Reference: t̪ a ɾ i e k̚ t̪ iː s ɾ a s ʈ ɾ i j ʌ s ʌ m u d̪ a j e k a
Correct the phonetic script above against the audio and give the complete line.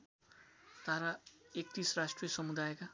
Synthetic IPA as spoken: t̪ a ɾ a e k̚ t̪ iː s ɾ a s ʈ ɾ i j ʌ s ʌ m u d̪ a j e k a